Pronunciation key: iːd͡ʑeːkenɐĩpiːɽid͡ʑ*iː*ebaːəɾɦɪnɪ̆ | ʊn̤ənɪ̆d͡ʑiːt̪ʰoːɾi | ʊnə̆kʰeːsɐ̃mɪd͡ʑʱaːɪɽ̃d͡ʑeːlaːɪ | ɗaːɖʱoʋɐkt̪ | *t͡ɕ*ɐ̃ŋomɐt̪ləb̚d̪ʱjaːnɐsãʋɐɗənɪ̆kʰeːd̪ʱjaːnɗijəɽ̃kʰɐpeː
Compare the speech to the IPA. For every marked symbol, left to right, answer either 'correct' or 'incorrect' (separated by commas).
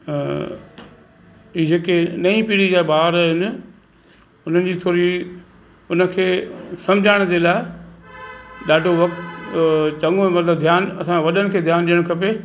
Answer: incorrect, correct